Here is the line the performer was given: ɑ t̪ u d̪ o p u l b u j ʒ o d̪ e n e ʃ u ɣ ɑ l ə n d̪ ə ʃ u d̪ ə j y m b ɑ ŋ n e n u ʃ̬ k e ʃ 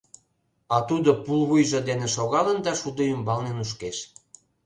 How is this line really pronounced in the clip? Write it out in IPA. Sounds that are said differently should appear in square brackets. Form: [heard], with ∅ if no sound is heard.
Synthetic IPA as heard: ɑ t̪ u d̪ o p u l [β] u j ʒ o d̪ e n e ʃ [o] ɣ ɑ l ə n d̪ [ɑ] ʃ u d̪ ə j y m b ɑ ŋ n e n u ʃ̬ k e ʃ